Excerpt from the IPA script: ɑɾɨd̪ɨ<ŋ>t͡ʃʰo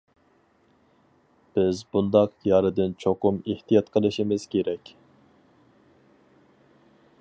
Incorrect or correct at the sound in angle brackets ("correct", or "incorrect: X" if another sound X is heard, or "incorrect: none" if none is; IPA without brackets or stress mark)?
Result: incorrect: n